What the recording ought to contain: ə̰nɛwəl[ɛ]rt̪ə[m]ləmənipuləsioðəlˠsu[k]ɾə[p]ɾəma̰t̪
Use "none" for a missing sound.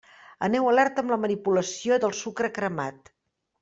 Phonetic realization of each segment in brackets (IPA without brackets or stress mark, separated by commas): ɛ, m, k, k